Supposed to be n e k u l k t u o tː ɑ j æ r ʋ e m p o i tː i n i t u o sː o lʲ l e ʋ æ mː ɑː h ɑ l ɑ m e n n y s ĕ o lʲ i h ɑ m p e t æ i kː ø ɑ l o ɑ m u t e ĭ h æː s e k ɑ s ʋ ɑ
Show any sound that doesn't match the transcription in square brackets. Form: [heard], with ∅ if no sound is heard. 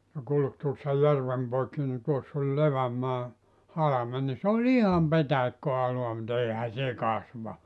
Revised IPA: n e k u l k t u o [sː] ɑ j æ r ʋ e m p o i [kː] i n i t u o sː o lʲ l e ʋ æ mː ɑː h ɑ l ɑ m e n n [i] s ĕ o lʲ i h ɑ m p e t æ i kː ø ɑ l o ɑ m u t e ĭ h [æ] s e k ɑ s ʋ ɑ